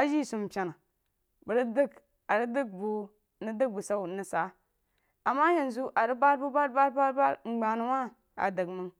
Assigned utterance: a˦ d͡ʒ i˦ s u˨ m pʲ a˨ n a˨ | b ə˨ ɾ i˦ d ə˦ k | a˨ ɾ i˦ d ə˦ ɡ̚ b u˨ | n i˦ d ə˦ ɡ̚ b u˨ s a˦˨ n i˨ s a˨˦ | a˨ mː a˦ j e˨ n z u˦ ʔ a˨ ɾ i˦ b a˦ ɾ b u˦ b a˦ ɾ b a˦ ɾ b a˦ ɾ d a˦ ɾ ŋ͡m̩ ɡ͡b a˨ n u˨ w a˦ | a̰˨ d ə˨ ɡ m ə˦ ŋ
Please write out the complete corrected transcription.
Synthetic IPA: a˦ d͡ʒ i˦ s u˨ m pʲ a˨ n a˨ | b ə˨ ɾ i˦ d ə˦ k | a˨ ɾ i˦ d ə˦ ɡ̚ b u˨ | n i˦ d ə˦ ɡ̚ b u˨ s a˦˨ n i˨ s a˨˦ | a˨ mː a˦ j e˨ n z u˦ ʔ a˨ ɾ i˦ b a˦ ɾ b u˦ b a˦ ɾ b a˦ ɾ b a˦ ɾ b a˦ ɾ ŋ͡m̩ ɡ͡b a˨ n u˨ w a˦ | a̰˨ d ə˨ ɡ m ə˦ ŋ